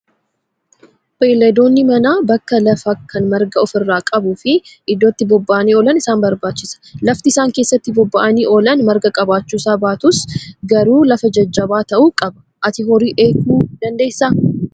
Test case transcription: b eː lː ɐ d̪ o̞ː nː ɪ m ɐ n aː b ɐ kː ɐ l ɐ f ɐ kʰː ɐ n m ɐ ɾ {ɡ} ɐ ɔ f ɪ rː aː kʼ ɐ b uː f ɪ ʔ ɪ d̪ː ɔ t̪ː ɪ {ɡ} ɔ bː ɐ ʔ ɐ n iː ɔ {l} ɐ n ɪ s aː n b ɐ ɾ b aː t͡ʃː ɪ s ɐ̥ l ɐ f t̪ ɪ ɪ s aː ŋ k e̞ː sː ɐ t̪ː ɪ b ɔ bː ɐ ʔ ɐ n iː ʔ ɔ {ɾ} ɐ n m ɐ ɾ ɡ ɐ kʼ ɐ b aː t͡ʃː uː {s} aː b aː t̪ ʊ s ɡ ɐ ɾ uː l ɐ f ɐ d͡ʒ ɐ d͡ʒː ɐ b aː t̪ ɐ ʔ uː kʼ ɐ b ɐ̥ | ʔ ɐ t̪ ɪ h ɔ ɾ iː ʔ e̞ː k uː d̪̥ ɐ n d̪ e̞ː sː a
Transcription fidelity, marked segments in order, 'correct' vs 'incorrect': correct, incorrect: b, correct, incorrect: l, correct

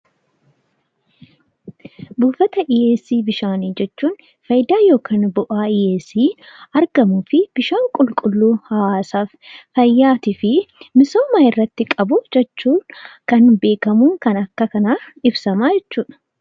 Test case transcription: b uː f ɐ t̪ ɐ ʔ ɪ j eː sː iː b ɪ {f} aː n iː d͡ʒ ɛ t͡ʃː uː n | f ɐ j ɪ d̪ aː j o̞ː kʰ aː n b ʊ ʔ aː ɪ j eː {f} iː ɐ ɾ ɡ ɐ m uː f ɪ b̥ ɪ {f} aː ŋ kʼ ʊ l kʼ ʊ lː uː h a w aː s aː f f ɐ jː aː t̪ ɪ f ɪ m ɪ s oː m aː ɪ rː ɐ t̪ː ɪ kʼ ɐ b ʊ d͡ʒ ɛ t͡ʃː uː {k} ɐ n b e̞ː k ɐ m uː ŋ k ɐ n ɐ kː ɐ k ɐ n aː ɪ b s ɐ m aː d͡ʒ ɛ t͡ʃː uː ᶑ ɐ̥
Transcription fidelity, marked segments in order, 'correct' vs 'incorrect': incorrect: ʃ, incorrect: s, incorrect: ʃ, correct

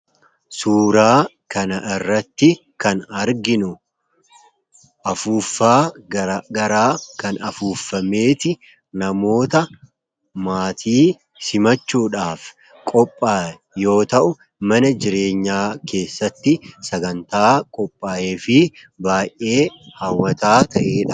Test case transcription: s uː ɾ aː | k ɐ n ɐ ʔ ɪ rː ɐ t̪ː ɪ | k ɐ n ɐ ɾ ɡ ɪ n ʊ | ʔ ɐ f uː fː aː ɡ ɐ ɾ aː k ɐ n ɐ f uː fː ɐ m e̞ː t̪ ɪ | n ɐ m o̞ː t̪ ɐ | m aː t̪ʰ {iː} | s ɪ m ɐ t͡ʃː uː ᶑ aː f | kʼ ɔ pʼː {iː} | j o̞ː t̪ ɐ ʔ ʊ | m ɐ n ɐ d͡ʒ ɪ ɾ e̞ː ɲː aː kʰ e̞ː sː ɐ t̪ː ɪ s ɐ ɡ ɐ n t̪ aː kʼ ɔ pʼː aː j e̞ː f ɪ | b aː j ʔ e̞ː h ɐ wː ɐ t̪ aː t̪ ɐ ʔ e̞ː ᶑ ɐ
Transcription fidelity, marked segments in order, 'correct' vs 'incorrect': correct, incorrect: aː

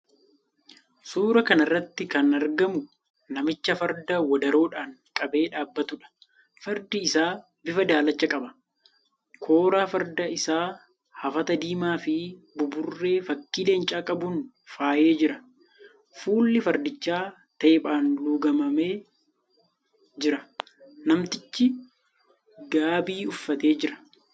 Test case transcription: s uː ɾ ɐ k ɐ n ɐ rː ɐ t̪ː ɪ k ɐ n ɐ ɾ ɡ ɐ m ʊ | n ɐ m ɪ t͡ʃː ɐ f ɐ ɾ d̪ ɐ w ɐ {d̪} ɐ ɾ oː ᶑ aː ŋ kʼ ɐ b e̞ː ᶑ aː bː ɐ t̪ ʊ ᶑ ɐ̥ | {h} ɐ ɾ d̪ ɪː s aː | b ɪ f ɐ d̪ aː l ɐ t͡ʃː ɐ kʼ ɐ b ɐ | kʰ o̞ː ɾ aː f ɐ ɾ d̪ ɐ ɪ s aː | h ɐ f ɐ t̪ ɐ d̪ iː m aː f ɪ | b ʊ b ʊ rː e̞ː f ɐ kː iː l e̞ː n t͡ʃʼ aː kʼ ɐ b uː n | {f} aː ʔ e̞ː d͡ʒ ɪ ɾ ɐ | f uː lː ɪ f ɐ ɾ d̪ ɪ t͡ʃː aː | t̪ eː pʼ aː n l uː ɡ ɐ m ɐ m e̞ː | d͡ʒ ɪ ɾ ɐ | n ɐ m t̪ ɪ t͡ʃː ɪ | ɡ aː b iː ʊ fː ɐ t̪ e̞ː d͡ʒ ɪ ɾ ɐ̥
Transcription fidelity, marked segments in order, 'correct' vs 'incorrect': correct, incorrect: f, correct

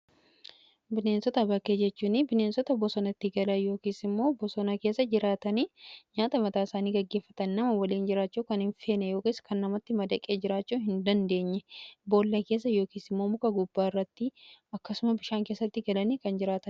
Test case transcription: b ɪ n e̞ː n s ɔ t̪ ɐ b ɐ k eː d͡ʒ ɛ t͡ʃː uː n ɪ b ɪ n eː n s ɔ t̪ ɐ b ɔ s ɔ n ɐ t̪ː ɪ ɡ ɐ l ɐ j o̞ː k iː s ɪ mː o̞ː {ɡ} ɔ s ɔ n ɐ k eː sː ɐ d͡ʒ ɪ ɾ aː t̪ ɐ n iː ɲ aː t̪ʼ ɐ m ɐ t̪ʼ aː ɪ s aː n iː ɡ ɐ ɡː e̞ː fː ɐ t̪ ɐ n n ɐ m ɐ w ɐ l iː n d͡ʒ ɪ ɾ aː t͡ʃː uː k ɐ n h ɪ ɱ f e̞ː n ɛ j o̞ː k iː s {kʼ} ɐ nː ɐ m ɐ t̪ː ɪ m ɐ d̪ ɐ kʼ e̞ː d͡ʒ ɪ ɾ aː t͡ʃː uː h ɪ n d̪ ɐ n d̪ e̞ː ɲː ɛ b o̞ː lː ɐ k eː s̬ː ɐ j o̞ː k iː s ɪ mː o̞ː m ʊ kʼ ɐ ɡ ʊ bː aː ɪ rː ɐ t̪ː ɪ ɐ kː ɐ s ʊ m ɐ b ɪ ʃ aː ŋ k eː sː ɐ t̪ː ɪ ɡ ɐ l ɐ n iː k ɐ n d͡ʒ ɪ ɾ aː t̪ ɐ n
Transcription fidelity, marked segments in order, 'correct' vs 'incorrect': incorrect: b, incorrect: k

